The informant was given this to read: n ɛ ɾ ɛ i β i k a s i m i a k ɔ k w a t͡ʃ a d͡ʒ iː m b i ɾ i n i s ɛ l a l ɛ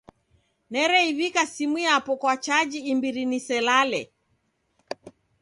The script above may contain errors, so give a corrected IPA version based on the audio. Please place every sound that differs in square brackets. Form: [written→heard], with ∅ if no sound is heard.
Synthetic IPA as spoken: n ɛ ɾ ɛ i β i k a s i m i a [k→p] ɔ k w a t͡ʃ a d͡ʒ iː m b i ɾ i n i s ɛ l a l ɛ